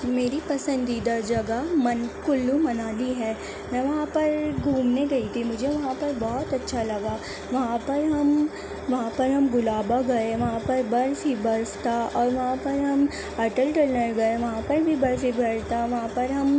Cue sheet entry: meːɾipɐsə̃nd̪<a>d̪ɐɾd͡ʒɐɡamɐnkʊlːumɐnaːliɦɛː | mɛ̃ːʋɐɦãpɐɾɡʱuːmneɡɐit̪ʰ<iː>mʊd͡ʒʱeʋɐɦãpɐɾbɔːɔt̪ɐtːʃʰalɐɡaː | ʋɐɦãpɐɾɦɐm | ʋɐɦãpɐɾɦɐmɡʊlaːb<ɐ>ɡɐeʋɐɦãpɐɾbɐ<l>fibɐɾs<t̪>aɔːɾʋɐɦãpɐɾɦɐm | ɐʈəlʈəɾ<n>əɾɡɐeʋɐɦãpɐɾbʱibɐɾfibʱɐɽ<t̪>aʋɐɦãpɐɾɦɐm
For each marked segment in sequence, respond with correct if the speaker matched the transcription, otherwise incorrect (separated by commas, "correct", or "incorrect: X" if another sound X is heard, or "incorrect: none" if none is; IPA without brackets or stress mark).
incorrect: i, incorrect: i, incorrect: a, incorrect: ɾ, correct, correct, correct